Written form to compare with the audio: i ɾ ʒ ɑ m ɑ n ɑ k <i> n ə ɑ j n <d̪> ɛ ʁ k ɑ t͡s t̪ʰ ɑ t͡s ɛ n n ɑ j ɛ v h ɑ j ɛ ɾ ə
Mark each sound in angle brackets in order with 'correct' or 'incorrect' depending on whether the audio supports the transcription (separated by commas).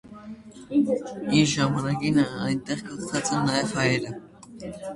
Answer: correct, incorrect